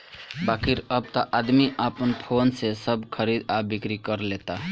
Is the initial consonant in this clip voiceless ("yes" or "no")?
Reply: no